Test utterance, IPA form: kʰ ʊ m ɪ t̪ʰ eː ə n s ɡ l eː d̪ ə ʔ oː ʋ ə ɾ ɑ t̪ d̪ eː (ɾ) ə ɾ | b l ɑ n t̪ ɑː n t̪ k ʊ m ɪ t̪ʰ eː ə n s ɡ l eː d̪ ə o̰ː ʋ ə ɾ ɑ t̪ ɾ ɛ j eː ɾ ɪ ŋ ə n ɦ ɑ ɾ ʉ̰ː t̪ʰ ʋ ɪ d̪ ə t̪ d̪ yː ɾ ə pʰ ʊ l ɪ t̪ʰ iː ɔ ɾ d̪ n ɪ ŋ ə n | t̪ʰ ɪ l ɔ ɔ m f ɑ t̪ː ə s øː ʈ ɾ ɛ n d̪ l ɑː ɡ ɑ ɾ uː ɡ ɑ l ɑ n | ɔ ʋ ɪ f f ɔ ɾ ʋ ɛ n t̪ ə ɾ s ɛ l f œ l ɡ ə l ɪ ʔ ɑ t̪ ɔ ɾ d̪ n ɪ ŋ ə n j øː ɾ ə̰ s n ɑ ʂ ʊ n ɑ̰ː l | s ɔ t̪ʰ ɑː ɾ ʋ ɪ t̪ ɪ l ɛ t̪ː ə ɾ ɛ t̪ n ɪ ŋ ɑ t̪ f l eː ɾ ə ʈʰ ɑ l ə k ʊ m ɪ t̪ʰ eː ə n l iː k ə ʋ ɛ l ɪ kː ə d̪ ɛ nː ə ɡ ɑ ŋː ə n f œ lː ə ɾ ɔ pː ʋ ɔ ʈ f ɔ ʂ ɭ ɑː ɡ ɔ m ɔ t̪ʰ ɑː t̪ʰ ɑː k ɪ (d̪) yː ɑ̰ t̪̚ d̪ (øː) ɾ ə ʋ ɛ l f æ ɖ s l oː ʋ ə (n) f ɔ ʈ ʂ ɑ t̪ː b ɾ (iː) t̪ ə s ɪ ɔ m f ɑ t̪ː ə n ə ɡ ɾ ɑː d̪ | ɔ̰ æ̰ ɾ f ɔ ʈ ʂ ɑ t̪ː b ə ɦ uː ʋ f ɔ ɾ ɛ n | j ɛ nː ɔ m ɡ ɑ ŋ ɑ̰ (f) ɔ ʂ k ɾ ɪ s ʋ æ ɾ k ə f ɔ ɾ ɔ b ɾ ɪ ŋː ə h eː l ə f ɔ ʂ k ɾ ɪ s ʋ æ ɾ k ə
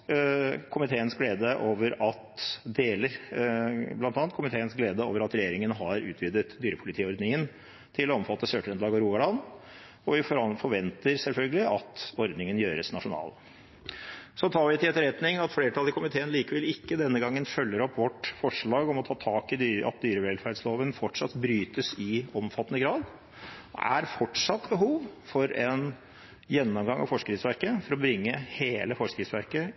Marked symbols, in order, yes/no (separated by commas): no, yes, no, yes, no, yes